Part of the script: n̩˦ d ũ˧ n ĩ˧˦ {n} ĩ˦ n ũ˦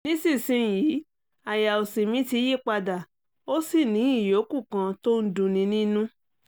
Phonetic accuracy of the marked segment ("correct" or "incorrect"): correct